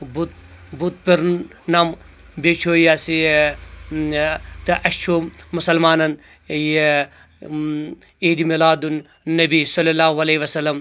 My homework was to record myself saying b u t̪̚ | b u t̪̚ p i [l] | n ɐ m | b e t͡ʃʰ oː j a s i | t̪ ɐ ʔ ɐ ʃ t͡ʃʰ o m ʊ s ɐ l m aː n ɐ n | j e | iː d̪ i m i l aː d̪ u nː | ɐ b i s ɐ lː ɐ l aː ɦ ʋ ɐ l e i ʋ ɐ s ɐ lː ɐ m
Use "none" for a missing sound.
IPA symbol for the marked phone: ɾ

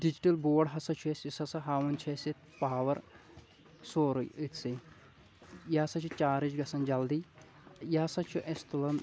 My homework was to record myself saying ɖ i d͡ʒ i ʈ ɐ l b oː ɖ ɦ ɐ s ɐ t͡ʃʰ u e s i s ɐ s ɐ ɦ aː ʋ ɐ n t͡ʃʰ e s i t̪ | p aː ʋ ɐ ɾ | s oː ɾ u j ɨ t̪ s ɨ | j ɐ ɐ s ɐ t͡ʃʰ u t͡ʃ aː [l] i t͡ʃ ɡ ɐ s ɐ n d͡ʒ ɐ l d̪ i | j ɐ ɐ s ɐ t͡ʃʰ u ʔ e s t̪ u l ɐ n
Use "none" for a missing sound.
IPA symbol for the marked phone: ɾ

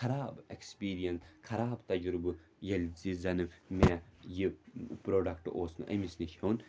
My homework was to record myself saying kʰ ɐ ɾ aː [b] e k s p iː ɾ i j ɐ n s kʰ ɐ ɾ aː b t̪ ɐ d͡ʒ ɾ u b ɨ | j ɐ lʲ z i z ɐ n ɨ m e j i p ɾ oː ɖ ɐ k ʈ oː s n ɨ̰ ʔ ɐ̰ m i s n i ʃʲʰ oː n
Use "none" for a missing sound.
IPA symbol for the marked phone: b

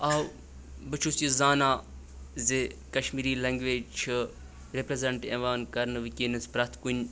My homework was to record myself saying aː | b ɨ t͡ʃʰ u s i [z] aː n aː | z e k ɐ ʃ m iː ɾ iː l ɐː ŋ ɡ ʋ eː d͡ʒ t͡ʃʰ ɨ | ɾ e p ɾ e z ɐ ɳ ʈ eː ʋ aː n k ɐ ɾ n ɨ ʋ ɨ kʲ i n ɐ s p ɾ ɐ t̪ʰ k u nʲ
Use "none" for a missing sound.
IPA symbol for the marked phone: z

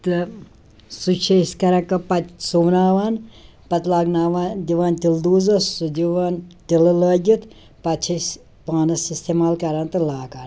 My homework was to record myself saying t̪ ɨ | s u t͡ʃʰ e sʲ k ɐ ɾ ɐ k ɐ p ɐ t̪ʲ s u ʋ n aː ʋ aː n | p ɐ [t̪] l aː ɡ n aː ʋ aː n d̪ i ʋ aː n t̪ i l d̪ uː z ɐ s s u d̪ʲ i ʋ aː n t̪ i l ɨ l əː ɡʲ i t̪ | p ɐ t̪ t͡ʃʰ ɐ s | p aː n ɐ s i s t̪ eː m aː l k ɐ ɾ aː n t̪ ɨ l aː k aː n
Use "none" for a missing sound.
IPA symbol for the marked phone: t̪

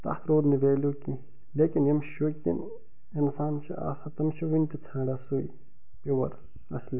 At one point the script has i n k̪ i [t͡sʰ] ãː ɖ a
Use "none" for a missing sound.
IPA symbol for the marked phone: t͡sʰ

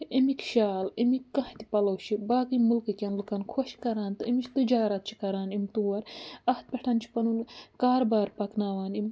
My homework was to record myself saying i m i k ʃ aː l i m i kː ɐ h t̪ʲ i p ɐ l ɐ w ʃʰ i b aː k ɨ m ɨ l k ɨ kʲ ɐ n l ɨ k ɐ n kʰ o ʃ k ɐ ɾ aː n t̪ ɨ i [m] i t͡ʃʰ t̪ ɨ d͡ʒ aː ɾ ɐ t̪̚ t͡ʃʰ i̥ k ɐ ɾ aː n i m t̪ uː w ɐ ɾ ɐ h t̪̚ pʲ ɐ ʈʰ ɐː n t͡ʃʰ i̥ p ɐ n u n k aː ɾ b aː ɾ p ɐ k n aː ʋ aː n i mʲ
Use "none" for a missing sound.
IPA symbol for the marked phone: m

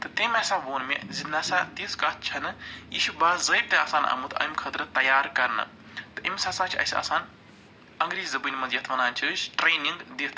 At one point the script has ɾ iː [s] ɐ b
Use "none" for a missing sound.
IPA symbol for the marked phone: z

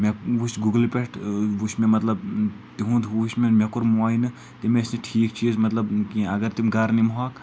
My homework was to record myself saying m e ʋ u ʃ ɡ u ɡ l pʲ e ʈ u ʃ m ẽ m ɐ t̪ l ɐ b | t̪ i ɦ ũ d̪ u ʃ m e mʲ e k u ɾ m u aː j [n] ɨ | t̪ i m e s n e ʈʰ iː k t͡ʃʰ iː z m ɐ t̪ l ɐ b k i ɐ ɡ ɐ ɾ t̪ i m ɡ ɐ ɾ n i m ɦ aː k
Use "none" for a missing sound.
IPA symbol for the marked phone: n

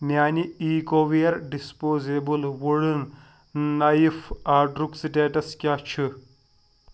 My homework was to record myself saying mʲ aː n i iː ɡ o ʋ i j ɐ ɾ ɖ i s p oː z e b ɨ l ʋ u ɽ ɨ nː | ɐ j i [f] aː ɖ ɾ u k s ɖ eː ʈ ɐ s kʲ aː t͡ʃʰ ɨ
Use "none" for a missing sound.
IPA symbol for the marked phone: f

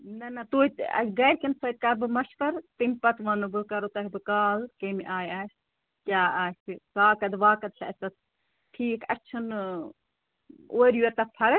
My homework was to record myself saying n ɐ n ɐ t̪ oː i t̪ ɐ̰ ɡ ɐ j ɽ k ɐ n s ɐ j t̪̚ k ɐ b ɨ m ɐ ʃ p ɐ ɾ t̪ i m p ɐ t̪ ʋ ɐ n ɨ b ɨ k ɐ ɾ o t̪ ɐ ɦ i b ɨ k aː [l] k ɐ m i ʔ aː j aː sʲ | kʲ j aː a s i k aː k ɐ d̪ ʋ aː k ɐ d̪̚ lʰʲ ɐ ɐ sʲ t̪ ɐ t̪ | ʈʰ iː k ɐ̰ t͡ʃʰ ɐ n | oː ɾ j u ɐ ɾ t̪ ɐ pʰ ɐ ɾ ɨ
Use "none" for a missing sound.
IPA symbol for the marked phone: l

